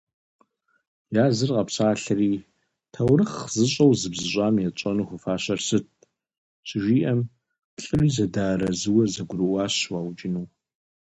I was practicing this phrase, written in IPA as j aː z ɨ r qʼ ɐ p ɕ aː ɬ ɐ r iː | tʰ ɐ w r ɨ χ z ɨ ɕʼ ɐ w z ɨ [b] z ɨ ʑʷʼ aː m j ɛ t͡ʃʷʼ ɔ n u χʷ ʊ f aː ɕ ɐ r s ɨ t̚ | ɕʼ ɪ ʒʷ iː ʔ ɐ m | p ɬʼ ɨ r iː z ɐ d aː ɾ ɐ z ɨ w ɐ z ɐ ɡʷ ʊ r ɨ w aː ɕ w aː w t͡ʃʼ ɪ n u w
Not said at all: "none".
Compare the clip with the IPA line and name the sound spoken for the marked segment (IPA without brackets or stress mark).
b